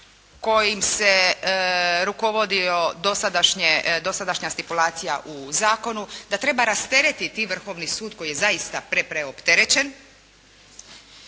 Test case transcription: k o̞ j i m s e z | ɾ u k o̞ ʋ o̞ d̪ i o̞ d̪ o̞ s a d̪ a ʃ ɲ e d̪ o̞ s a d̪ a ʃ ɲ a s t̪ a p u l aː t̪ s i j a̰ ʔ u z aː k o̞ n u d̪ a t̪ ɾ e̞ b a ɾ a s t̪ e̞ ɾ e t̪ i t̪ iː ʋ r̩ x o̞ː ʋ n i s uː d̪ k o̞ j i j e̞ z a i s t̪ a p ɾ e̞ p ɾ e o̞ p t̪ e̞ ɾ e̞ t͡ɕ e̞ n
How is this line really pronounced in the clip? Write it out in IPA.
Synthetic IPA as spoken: k o̞ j i m s e | ɾ u k o̞ ʋ o̞ d̪ i o̞ d̪ o̞ s a d̪ a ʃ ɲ e d̪ o̞ s a d̪ a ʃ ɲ a s t̪ i p u l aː t̪ s i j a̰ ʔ u z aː k o̞ n u d̪ a t̪ ɾ e̞ b a ɾ a s t̪ e̞ ɾ e t̪ i t̪ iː ʋ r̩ x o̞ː ʋ n i s uː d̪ k o̞ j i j e̞ z a i s t̪ a p ɾ e̞ p ɾ e o̞ p t̪ e̞ ɾ e̞ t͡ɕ e̞ n